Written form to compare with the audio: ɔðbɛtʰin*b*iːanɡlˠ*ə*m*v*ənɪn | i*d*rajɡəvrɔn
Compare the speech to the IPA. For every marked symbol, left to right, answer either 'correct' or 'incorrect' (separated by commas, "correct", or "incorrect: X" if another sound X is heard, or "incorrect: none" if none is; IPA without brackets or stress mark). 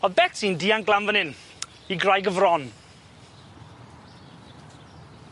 incorrect: d, incorrect: a, correct, incorrect: ɡ